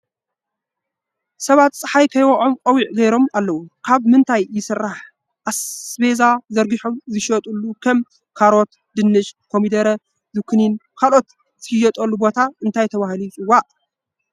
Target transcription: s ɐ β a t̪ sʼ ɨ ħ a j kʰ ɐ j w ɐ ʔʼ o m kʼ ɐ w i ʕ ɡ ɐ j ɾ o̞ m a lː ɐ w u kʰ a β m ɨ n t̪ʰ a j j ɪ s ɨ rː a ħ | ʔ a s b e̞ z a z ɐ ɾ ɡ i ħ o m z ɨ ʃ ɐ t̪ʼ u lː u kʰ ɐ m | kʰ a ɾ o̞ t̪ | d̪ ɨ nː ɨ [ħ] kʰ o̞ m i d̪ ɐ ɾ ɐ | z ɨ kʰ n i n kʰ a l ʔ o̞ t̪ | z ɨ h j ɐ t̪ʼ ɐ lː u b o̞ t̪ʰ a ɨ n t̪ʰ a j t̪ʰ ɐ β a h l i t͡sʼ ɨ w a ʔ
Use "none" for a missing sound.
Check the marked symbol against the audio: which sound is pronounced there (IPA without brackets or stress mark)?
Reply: ʃ